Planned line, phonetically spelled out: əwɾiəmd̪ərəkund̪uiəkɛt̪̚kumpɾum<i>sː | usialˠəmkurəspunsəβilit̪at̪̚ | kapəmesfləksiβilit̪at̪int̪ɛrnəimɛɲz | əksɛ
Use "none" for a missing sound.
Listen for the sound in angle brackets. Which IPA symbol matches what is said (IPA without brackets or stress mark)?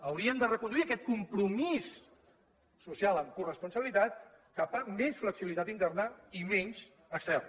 i